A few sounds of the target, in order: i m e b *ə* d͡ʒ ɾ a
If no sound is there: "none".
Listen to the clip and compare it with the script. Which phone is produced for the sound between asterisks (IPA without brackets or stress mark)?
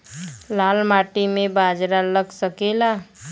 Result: a